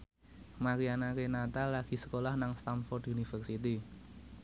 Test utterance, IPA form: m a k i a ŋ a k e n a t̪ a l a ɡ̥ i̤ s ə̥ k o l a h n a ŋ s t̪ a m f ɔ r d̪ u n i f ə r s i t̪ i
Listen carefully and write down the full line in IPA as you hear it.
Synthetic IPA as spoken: m a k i a n a k e n a t̪ a l a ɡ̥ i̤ s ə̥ k o l a h n a ŋ s t̪ a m f ɔ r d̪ u n i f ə r s i t̪ i